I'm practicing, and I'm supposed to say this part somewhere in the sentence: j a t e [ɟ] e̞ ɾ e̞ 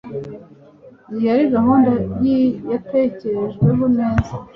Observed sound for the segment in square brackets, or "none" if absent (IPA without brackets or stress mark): c